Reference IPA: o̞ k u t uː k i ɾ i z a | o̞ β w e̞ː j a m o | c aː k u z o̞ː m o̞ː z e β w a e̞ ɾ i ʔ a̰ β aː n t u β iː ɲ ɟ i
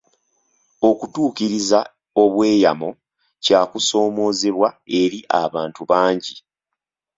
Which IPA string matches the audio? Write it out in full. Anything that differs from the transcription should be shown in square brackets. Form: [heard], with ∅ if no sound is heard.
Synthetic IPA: o̞ k u t uː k i ɾ i z a | o̞ β w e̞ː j a m o | c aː k u [s] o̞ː m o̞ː z e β w a e̞ ɾ i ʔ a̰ β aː n t u β [aː] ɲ ɟ i